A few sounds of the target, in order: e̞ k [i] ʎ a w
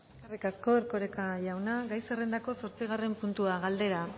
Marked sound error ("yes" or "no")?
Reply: yes